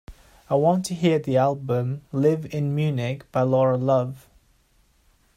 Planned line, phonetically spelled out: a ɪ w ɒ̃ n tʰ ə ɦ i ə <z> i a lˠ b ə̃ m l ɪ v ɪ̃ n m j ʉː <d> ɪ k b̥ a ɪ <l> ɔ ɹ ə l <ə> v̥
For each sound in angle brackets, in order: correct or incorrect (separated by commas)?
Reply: incorrect, incorrect, correct, incorrect